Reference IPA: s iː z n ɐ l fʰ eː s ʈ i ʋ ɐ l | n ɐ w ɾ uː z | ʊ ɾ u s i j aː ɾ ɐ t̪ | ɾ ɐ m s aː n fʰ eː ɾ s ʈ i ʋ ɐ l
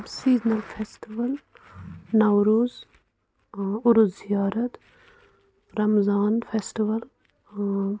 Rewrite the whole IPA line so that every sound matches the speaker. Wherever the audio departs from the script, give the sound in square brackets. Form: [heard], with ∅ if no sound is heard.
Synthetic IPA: s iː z n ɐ l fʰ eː s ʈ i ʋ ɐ l | n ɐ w ɾ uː z | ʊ ɾ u [z] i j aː ɾ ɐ t̪ | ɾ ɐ m [z] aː n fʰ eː [∅] s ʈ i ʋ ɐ l